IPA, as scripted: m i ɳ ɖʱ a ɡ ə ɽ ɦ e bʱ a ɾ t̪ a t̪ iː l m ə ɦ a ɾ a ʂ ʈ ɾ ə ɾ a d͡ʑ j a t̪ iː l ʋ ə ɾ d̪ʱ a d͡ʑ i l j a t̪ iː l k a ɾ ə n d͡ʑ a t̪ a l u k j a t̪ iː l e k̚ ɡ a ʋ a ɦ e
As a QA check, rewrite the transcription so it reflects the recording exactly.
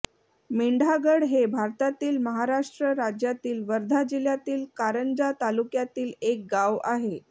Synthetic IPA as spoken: m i ɳ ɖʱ a ɡ ə ɽ ɦ e bʱ a ɾ t̪ a t̪ iː l m ə ɦ a ɾ a ʂ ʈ ɾ ə ɾ a d͡ʑ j a t̪ iː l ʋ ə ɾ d̪ʱ a d͡ʑ i l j a t̪ iː l k a ɾ ə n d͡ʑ a t̪ a l u k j a t̪ iː l e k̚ ɡ a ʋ a ɦ e